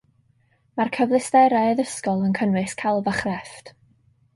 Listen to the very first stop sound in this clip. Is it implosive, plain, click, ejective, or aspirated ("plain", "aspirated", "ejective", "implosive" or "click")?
aspirated